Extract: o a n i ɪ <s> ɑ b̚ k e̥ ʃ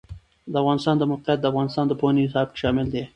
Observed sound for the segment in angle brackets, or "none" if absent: s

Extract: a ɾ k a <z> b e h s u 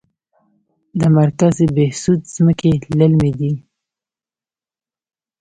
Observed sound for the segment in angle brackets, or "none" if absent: z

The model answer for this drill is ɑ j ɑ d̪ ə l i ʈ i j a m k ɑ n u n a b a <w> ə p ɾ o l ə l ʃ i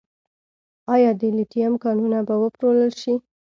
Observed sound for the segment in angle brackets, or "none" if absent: w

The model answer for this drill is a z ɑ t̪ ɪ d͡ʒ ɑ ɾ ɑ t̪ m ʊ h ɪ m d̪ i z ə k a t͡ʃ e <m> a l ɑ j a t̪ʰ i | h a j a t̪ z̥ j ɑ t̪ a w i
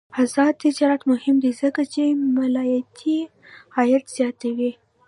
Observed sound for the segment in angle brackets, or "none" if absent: m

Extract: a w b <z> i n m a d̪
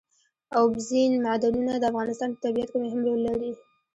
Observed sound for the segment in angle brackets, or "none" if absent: z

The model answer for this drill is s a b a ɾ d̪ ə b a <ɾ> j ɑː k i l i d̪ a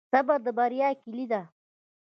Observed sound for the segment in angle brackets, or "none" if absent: ɾ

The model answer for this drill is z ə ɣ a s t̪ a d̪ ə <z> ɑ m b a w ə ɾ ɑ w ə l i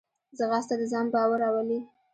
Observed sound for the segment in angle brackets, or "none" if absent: z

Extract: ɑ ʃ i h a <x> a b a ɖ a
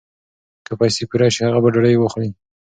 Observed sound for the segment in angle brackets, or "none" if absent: ɣ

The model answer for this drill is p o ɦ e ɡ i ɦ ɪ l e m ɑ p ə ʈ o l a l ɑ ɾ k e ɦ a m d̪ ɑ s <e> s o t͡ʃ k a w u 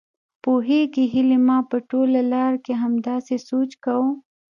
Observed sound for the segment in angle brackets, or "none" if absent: e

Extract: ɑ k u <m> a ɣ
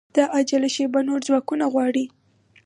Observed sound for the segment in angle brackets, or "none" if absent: n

